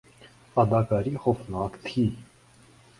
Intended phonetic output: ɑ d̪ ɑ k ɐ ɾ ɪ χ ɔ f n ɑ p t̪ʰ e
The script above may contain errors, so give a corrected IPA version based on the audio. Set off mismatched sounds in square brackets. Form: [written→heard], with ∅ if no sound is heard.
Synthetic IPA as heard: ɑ d̪ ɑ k [ɐ→ɑ] ɾ [ɪ→i] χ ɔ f n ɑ [p→k] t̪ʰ [e→i]